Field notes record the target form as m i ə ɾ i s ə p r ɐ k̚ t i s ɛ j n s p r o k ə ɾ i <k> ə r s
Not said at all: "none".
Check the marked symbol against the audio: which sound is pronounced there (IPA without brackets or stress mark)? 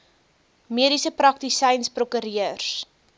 none